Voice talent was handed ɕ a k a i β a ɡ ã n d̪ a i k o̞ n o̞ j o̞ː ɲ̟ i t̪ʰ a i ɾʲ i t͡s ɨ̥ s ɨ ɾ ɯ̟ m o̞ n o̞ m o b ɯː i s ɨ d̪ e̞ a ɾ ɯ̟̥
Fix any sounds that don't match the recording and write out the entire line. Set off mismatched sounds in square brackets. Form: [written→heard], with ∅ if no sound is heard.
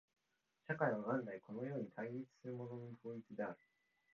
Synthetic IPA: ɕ a k a i β a ɡ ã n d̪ a i k o̞ n o̞ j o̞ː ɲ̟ i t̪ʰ a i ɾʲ i t͡s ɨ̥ s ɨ ɾ ɯ̟ m o̞ n o̞ [m→n] o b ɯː i [s→t͡s] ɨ d̪ e̞ a ɾ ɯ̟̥